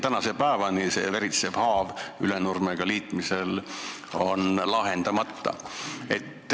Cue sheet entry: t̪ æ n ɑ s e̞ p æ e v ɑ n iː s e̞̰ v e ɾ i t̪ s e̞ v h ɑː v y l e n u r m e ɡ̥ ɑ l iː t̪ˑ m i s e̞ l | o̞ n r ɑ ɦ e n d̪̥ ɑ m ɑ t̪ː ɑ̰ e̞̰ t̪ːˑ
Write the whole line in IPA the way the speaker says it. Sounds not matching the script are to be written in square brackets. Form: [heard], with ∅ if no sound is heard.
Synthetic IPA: t̪ æ n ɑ s e̞ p æ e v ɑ n [i] s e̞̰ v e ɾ i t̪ s e̞ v h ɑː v y l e n u r m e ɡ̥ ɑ l iː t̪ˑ m i s e̞ l | o̞ n [l] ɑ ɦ e n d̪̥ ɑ m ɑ t̪ː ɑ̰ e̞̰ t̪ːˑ

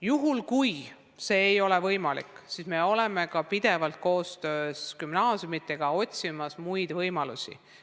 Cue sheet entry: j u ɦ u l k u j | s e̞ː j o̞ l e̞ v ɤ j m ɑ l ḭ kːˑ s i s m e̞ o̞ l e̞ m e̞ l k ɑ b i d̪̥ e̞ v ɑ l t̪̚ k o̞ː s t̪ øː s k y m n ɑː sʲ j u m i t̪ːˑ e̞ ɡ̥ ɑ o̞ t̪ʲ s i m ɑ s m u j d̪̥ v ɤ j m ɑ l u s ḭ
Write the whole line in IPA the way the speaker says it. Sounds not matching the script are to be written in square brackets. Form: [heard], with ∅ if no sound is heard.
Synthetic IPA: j u ɦ u l k u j | s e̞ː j o̞ l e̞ v ɤ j m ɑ l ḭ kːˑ s i s m e̞ o̞ l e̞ m e̞ [∅] k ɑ [p] i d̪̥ e̞ v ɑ l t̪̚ k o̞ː s t̪ øː s k y m n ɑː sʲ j u m i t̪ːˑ e̞ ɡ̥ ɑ o̞ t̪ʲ s i m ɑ s m u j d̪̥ v ɤ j m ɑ l u s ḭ

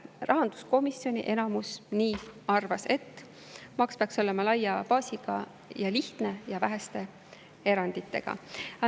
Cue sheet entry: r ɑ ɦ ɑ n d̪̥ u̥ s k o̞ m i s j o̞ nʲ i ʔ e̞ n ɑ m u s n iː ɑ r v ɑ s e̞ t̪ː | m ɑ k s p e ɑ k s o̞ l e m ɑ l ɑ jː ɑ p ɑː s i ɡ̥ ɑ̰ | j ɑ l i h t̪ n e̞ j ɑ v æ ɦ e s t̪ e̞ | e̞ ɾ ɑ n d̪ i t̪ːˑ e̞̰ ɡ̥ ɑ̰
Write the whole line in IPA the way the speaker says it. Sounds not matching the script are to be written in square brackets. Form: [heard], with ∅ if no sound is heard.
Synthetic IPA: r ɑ ɦ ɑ n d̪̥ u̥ s k o̞ m i s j o̞ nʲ i ʔ e̞ n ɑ m u s n iː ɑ r v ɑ s e̞ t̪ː | m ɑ k s p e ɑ k s o̞ l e m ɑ l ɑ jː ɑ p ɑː s i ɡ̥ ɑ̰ | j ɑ l i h t̪ n e̞ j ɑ v æ ɦ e s t̪ e̞ | e̞ ɾ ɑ n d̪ i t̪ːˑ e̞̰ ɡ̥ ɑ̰

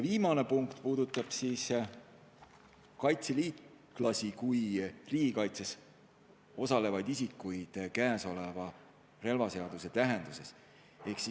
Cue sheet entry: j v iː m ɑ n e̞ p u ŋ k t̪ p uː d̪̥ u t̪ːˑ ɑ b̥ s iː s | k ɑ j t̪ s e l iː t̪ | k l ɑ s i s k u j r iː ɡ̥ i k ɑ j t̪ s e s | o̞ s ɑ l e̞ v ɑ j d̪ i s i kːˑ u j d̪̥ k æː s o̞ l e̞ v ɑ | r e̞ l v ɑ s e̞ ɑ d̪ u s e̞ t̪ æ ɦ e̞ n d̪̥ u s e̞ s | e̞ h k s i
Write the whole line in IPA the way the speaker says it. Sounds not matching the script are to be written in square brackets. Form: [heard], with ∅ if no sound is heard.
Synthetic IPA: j v iː m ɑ n e̞ p u ŋ k t̪ p uː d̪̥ u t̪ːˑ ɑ b̥ s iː s | k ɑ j t̪ s e l iː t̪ | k l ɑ s i [∅] k u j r iː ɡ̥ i k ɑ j t̪ s e s | o̞ s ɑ l e̞ v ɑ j d̪ i s i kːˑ u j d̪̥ k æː s o̞ l e̞ v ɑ | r e̞ l v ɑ s e̞ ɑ d̪ u s e̞ t̪ æ ɦ e̞ n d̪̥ u s e̞ s | e̞ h k s i

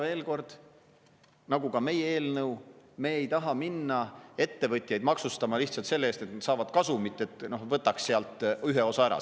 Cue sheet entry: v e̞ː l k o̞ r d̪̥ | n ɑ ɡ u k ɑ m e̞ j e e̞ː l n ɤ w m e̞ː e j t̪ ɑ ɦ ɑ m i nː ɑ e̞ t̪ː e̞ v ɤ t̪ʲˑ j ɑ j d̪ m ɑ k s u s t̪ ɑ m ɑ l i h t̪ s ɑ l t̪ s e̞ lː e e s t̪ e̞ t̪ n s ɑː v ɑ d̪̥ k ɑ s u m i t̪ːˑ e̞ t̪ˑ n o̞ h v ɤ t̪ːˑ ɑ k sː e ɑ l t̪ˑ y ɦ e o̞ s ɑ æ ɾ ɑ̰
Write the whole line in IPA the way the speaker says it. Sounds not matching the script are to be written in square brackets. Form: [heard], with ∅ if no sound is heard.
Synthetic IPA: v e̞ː l k o̞ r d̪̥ | n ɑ ɡ u k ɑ m e̞ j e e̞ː l n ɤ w m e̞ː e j t̪ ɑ ɦ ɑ m i nː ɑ e̞ t̪ː e̞ v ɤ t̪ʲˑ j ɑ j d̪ m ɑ k s u s t̪ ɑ m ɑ l i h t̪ s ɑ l t̪ s e̞ lː e e s t̪ e̞ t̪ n s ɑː v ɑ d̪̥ k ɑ s u m i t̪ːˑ e̞ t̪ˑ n o̞ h v ɤ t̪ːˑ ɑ k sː e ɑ l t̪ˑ y ɦ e o̞ s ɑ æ ɾ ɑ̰

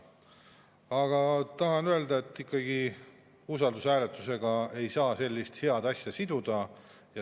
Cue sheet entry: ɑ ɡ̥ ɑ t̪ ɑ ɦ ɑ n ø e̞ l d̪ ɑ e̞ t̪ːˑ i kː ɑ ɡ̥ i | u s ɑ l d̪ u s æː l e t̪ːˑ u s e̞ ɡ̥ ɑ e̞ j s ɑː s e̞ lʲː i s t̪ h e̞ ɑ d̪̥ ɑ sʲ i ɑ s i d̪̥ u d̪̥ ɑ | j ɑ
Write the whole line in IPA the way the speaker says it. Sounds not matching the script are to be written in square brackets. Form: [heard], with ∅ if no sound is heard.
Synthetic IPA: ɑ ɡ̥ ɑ t̪ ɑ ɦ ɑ n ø e̞ l d̪ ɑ e̞ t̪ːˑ i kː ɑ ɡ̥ i | u s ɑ l d̪ u s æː l e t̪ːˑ u s e̞ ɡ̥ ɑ e̞ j s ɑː s e̞ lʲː i s t̪ h e̞ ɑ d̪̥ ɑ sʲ [j] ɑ s i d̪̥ u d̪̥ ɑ | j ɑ

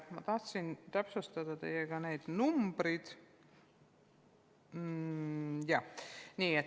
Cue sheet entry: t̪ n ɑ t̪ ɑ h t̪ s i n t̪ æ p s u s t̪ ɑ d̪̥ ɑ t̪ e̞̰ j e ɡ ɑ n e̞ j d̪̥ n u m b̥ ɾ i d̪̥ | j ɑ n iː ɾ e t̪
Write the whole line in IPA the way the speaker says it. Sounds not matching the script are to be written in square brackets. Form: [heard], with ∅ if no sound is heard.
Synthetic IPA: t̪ [m] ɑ t̪ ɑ h t̪ s i n t̪ æ p s u s t̪ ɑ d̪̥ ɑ t̪ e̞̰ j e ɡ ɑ n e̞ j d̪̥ n u m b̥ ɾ i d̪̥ | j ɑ n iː [∅] e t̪

